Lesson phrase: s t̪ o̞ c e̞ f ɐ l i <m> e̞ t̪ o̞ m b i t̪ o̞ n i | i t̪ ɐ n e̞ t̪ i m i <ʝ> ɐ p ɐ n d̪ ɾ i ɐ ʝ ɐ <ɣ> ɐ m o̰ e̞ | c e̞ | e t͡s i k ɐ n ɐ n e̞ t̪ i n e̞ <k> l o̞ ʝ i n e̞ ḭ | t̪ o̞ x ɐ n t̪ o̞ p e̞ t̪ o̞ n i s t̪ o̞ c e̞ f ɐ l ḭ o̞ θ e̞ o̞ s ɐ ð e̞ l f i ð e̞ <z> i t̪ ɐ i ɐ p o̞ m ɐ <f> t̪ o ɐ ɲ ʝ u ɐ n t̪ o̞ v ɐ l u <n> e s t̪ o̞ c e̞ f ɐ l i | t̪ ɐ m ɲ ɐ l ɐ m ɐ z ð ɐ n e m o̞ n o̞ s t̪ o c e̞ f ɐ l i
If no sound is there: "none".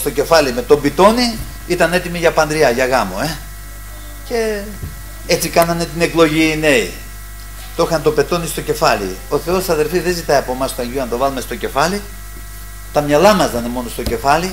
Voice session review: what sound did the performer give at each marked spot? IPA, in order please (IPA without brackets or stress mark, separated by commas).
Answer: m, ʝ, ɣ, k, z, s, m